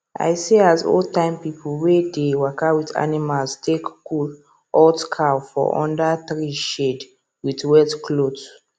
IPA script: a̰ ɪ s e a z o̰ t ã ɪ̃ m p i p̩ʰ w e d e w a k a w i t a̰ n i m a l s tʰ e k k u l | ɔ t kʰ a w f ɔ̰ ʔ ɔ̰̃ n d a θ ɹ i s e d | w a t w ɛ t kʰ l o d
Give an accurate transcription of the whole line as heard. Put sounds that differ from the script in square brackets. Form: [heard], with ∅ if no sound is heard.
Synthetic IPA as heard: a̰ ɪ s e a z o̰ t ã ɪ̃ m p i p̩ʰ w e d e w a k a w i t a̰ n i m a l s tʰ e k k u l | ɔ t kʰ a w f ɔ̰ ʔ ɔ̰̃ n d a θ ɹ i [ʃ] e d | w [i] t w ɛ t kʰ l o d

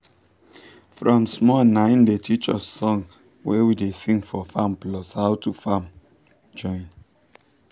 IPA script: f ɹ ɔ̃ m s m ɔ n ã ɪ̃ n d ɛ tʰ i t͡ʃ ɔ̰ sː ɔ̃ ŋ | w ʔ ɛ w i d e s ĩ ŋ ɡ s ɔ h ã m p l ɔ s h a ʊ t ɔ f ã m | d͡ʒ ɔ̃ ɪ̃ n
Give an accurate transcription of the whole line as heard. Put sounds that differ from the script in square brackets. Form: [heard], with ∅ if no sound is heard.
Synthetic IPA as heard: f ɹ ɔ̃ m s m ɔ n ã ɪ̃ n d [e] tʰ i t͡ʃ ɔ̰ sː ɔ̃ ŋ | w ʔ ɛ w i d e s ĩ ŋ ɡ [f] ɔ [f] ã m p l ɔ s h a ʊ t [u] f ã m | d͡ʒ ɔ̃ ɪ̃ n

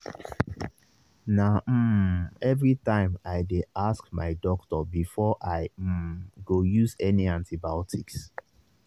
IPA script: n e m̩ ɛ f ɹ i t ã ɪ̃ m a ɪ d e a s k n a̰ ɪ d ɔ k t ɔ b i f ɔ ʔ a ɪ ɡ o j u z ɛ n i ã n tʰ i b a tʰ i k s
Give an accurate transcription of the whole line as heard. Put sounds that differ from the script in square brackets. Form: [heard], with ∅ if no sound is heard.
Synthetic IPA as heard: n [a] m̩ ɛ [v] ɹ i t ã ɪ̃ m a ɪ d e a s k [m] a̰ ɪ d ɔ k t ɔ b i f ɔ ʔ a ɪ ɡ o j u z ɛ n i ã n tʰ i b a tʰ i k s

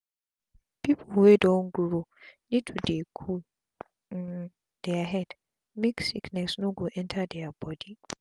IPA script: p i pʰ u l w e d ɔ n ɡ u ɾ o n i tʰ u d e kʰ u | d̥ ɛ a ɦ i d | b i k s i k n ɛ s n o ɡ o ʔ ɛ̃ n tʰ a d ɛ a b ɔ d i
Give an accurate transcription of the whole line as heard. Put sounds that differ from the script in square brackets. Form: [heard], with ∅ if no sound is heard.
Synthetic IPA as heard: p i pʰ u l w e d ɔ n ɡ u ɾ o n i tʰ u d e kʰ u | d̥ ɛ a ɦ [ɛ] d | [m] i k s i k n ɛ s n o ɡ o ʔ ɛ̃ n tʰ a d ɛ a b ɔ d i

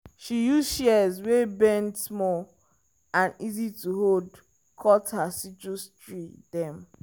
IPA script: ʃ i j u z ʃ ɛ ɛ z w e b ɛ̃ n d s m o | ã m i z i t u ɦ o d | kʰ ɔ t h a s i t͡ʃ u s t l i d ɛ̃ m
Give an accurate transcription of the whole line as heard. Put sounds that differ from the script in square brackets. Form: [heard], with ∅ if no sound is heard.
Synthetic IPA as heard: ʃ i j u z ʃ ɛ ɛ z w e b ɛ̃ n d s m [ɔ] | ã [n] i z i t u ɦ o d | kʰ ɔ t h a s i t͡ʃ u s t [ɹ] i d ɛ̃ m

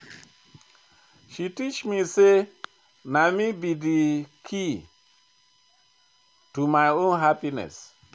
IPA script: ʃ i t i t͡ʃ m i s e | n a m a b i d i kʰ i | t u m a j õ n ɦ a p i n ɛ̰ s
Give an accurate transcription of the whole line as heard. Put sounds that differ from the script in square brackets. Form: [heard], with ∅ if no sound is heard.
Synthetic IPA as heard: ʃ i t i t͡ʃ m i s e | n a m [i] b i d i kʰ i | t u m a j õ n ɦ a p i n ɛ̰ s

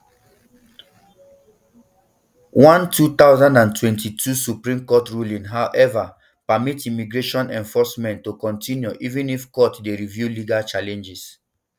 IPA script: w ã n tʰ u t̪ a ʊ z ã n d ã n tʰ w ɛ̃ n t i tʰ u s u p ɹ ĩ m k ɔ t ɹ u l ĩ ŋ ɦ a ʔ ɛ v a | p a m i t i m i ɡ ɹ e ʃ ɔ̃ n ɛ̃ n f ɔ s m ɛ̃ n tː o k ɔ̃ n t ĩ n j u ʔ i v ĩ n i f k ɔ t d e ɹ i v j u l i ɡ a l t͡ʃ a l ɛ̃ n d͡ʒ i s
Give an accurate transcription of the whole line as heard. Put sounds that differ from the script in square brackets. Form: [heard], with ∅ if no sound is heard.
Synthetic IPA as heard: w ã n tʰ u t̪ a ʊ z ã n d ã n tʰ w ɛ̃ n t i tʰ u s u p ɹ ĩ m k ɔ t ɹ u l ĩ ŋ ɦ a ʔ ɛ v a | p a m i t i m i ɡ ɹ e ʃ ɔ̃ n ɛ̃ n f ɔ s m ɛ̃ n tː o k ɔ̃ n t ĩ n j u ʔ i v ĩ n i f k ɔ t d e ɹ i v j u l i ɡ a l t͡ʃ a l ɛ̃ n d͡ʒ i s

